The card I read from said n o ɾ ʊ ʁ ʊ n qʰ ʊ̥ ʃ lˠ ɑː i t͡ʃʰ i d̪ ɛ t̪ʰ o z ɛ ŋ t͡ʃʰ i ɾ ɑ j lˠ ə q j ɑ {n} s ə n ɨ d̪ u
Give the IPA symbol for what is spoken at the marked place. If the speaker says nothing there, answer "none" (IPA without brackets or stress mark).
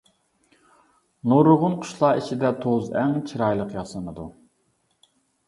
none